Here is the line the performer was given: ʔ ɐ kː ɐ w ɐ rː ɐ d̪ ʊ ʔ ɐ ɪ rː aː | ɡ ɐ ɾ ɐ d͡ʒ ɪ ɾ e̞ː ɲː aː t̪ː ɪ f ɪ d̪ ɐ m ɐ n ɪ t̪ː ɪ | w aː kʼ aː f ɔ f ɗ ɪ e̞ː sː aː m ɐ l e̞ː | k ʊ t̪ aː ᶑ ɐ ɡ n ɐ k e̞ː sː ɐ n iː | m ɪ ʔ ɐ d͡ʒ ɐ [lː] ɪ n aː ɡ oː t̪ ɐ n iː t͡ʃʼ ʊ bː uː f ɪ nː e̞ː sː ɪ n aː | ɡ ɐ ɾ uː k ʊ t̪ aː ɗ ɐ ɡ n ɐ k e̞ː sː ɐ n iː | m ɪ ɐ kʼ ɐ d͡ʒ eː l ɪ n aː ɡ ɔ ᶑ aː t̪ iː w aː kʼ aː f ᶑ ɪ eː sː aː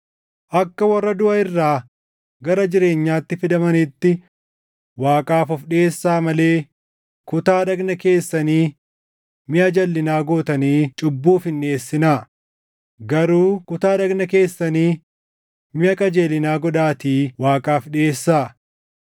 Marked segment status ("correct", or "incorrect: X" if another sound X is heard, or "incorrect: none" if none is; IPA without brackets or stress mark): correct